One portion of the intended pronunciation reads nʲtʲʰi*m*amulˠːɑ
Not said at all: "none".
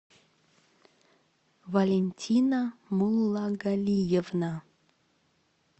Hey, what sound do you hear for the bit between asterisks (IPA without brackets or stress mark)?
n